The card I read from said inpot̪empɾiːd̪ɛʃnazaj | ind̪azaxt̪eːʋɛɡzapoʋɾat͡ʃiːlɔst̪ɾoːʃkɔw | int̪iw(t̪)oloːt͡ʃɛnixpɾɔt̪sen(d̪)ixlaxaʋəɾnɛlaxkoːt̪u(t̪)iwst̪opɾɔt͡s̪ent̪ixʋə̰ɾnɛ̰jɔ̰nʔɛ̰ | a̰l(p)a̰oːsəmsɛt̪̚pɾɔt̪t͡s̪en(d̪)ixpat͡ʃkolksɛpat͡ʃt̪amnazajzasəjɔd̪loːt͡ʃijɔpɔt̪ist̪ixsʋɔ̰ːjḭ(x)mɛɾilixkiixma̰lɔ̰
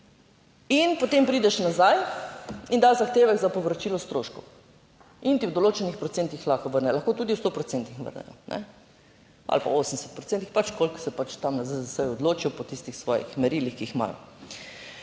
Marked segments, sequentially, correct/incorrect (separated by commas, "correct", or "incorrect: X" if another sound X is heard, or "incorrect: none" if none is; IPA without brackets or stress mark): incorrect: d̪, incorrect: t̪, incorrect: d̪, correct, incorrect: t̪, correct